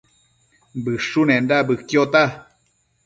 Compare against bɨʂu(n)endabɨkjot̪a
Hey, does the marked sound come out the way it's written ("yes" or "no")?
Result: yes